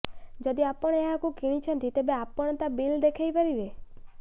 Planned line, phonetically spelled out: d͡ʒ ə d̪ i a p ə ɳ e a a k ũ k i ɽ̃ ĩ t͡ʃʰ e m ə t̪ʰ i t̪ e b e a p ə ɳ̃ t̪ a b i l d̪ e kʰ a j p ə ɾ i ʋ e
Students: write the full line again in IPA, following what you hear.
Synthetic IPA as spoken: d͡ʒ ə d̪ i a p ə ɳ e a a k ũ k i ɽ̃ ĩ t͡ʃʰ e n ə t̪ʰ i t̪ e b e a p ə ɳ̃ t̪ a b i l d̪ e kʰ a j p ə ɾ i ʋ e